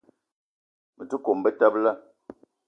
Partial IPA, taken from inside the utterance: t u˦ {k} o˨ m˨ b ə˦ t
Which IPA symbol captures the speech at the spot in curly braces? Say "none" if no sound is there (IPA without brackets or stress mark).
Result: k